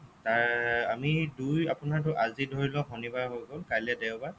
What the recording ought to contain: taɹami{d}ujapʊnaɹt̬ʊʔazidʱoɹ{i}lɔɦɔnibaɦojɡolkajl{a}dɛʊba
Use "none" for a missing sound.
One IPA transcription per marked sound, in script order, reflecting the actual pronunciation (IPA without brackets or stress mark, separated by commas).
d, i, ɛ